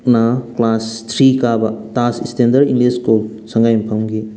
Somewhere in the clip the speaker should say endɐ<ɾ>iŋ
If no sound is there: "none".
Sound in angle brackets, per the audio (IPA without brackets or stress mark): ɾ